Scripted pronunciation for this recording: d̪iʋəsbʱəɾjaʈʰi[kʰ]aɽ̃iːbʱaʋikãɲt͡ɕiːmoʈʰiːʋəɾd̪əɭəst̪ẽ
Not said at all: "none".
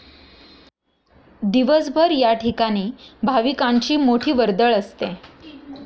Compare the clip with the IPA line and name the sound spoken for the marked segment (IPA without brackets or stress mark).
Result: k